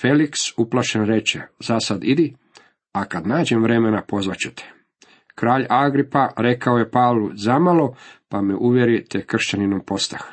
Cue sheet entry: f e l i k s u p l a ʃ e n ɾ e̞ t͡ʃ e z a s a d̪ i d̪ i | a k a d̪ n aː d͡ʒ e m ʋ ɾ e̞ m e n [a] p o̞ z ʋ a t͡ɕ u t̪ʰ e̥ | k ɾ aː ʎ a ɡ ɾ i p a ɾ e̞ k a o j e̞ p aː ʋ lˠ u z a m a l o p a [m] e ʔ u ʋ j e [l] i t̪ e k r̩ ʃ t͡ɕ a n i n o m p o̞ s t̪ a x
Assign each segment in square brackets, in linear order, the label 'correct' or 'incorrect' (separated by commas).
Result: correct, correct, incorrect